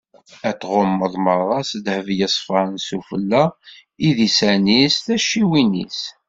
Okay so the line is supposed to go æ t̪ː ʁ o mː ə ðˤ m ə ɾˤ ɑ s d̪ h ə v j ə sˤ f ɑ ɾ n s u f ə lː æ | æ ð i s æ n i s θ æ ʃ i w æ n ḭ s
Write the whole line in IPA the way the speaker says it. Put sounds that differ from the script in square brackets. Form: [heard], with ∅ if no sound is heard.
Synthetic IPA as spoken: æ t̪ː ʁ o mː ə ðˤ m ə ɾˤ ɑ s d̪ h ə v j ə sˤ f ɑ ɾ n s u f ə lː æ | [i] ð i s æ n i s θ æ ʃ i w [i] n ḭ s